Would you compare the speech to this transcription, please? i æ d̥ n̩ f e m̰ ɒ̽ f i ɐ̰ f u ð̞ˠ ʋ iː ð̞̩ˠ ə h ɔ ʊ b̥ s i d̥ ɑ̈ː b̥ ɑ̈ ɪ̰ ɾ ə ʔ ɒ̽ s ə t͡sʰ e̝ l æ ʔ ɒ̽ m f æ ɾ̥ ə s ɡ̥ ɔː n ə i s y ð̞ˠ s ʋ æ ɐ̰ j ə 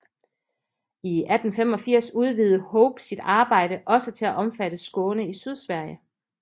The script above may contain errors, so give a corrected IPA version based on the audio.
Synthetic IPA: i æ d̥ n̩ f e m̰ ɒ̽ f i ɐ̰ s u ð̞ˠ ʋ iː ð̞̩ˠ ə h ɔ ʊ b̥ s i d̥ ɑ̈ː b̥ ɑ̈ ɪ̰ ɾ ə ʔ ɒ̽ s ə t͡sʰ e̝ l æ ʔ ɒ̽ m f æ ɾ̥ ə s ɡ̥ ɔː n ə i s y ð̞ˠ s ʋ æ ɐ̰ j ə

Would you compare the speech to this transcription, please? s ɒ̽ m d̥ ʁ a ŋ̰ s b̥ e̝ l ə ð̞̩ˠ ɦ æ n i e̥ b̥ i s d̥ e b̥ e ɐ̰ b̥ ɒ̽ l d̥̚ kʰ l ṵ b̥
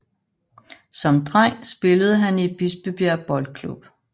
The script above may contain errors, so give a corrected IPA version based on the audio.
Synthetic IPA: s ɒ̽ m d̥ ʁ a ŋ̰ s b̥ e̝ l ə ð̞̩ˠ ɦ æ n i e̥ b̥ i s b̥ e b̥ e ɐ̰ b̥ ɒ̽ l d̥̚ kʰ l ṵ b̥

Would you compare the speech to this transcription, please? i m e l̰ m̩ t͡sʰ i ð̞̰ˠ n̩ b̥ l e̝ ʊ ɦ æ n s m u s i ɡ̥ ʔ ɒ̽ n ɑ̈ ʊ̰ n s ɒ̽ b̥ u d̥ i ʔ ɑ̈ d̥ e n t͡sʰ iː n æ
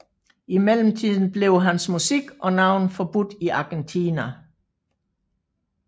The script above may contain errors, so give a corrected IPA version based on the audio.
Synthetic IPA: i m e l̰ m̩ t͡sʰ i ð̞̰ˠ n̩ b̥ l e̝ ʊ ɦ æ n s m u s i ɡ̥ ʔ ɒ̽ n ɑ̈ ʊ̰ n f ɒ̽ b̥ u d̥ i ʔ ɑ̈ ɡ̥ e n t͡sʰ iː n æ

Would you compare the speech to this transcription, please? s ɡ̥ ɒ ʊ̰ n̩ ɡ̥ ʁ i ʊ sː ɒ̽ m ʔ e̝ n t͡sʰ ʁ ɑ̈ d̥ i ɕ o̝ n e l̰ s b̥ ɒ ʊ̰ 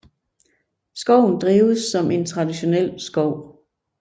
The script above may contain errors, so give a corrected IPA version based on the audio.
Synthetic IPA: s ɡ̥ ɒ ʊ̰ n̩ d̥ ʁ iː ʊ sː ɒ̽ m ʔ e̝ n t͡sʰ ʁ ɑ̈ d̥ i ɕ o̝ n e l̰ s ɡ̥ ɒ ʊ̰

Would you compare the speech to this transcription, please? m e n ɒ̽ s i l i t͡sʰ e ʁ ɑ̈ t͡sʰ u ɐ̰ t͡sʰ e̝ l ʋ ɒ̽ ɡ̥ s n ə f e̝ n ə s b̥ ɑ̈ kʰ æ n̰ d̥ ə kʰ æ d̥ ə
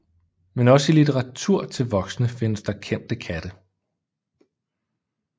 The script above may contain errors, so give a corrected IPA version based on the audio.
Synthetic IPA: m e n ɒ̽ s i l i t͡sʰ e ʁ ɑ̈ t͡sʰ u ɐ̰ t͡sʰ e̝ l ʋ ɒ̽ ɡ̥ s n ə f e̝ n ə s d̥ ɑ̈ kʰ e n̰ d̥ ə kʰ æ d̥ ə

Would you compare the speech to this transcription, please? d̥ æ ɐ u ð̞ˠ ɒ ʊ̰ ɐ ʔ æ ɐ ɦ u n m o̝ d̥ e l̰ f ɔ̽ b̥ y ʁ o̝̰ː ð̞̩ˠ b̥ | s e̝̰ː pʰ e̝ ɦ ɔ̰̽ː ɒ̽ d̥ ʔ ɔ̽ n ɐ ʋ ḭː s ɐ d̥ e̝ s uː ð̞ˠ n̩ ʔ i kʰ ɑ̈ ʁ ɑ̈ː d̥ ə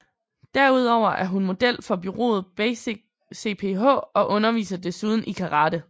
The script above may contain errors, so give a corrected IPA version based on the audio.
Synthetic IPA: d̥ æ ɐ u ð̞ˠ ɒ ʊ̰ ɐ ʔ æ ɐ ɦ u n m o̝ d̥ e l̰ f ɒ̽ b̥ y ʁ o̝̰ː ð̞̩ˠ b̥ | s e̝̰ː pʰ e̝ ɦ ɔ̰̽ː ɒ̽ ʔ ɔ̽ n ɐ ʋ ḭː s ɐ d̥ e̝ s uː ð̞ˠ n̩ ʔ i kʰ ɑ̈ ʁ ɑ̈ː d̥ ə

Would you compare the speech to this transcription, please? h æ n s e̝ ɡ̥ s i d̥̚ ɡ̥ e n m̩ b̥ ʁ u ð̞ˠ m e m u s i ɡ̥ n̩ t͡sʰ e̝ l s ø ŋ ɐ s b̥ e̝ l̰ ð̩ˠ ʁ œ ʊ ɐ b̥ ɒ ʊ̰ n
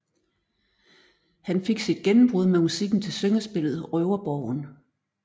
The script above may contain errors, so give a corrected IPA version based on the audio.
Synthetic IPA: h æ n f e̝ ɡ̥ s i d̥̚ ɡ̥ e n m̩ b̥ ʁ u ð̞ˠ m e m u s i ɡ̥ n̩ t͡sʰ e̝ l s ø ŋ ɐ s b̥ e̝ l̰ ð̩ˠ ʁ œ ʊ ɐ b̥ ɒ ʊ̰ n

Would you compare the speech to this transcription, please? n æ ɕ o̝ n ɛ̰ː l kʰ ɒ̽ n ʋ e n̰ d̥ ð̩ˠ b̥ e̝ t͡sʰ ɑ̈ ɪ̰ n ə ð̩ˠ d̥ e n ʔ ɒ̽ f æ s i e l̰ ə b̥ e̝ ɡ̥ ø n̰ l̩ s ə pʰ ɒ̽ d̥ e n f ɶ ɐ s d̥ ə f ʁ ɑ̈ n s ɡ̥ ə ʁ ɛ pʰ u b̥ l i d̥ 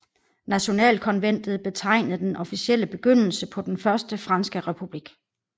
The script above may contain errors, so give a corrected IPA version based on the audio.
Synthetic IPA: n æ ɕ o̝ n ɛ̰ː l kʰ ɒ̽ n ʋ e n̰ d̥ ð̩ˠ b̥ e̝ t͡sʰ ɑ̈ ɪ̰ n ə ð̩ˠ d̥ e n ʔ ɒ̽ f i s i e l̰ ə b̥ e̝ ɡ̥ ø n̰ l̩ s ə pʰ ɒ̽ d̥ e n f ɶ ɐ s d̥ ə f ʁ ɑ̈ n s ɡ̥ ə ʁ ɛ pʰ u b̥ l i ɡ̥

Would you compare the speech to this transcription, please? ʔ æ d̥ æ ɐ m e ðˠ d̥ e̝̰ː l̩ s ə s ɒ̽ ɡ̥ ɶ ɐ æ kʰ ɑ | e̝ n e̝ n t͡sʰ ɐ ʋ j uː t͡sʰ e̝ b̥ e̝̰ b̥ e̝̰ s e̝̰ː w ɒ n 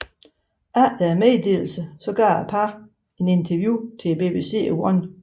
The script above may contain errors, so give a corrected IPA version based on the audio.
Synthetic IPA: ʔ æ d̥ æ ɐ m e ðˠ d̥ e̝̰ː l̩ s ə s ɒ̽ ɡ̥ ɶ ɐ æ pʰ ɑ | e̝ n e̝ n t͡sʰ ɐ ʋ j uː t͡sʰ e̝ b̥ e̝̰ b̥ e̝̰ s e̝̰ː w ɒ n

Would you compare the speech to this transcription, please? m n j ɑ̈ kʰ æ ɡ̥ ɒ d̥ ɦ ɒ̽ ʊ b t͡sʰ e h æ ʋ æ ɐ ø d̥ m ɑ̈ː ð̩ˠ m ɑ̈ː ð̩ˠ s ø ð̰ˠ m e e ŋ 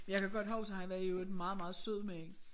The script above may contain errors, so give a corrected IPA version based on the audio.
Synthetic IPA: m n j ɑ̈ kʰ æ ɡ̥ ɒ d̥ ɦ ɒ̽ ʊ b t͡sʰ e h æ ʋ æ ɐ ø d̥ m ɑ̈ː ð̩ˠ m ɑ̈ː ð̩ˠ s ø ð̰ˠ m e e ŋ

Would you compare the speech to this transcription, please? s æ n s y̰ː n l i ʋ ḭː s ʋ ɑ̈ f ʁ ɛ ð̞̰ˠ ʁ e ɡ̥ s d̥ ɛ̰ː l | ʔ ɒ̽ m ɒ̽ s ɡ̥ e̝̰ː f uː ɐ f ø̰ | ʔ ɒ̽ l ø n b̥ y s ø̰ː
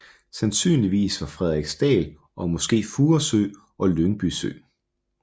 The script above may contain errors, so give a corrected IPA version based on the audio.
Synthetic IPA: s æ n s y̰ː n l i ʋ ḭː s ʋ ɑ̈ f ʁ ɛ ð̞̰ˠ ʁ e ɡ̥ s d̥ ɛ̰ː l | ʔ ɒ̽ m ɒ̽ s ɡ̥ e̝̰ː f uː ɐ s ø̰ | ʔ ɒ̽ l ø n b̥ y s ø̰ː

